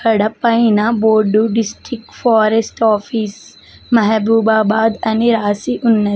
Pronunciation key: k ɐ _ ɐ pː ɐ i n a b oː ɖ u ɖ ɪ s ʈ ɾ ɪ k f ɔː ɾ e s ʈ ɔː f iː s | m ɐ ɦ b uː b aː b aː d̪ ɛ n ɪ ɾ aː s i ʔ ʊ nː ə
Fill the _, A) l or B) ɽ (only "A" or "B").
B